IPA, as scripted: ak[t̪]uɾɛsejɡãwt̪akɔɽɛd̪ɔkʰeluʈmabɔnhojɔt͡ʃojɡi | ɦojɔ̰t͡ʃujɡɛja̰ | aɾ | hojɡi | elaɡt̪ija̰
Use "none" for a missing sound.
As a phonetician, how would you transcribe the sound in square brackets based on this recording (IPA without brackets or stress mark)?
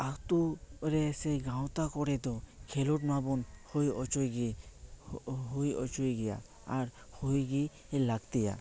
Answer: t̪